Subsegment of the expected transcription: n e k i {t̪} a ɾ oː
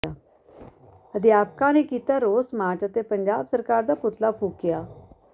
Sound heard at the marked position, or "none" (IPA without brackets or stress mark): t̪